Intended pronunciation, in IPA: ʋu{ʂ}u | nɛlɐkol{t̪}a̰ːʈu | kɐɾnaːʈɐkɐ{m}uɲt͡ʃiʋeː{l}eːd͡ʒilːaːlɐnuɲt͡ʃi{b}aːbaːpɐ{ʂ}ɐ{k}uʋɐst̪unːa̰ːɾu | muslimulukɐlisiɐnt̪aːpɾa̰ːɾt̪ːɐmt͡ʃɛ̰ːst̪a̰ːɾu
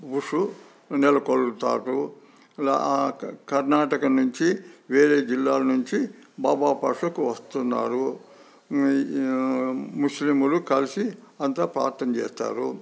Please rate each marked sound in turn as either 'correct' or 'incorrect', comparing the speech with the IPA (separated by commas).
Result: correct, correct, incorrect, incorrect, correct, correct, correct